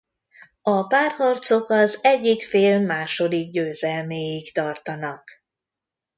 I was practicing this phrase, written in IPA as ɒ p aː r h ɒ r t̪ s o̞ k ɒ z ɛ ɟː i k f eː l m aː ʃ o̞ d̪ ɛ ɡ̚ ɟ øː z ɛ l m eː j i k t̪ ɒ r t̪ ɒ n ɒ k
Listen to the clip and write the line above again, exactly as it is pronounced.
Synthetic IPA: ɒ p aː r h ɒ r t̪ s o̞ k ɒ z ɛ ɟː i k f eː l m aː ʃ o̞ d̪ i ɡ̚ ɟ øː z ɛ l m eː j i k t̪ ɒ r t̪ ɒ n ɒ k